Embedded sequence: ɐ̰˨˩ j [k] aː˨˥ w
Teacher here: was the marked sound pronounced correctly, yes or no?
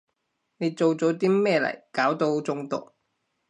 yes